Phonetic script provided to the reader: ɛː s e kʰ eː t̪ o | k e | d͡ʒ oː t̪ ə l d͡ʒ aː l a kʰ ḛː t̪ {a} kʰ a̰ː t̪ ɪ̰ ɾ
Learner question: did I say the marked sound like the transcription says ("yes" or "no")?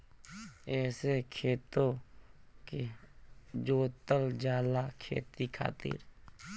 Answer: no